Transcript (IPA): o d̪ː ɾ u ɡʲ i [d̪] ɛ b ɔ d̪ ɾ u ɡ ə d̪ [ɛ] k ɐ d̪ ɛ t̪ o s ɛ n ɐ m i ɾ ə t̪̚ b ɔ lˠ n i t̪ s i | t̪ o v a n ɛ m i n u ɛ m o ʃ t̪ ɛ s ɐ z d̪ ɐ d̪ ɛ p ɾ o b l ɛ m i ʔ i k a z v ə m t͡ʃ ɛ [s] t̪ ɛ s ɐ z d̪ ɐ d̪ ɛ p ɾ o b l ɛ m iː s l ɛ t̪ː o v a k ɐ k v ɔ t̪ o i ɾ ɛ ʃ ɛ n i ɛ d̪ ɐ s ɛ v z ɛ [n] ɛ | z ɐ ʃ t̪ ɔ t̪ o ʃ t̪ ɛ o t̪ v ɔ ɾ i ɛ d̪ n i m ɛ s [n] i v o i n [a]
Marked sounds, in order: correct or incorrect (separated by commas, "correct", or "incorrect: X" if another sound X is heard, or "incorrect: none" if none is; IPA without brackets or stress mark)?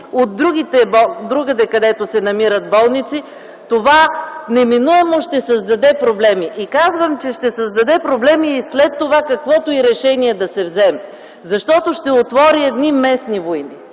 incorrect: t̪, correct, incorrect: ʃ, incorrect: m, correct, incorrect: i